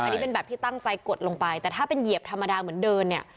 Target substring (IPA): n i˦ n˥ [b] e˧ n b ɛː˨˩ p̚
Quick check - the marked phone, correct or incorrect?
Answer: incorrect